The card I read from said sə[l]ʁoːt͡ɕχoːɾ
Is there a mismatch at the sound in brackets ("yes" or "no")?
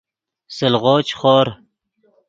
no